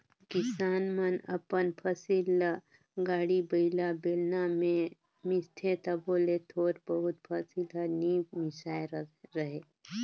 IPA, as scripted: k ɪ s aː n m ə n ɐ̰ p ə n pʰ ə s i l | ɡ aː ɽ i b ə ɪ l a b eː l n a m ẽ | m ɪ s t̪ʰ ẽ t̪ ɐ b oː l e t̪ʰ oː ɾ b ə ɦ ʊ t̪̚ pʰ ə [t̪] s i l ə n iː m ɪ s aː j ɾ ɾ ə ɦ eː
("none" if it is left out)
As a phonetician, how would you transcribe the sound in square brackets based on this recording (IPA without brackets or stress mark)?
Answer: none